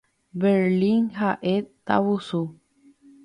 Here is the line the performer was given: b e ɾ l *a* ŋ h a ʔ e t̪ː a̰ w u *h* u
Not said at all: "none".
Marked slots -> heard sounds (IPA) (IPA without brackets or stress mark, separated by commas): i, s